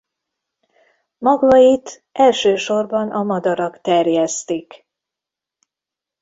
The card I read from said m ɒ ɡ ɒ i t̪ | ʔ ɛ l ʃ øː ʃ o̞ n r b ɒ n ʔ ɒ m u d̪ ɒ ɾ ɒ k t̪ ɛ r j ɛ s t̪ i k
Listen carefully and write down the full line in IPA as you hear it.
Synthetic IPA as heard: m ɒ ɡ ɒ i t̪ | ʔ ɛ l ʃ øː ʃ o̞ r b ɒ n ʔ ɒ m ɒ d̪ ɒ ɾ ɒ k t̪ ɛ r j ɛ s t̪ i k